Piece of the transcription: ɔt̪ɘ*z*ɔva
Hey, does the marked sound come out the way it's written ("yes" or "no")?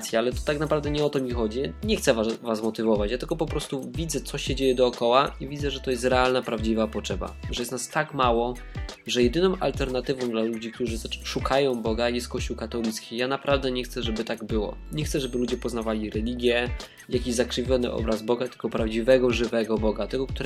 no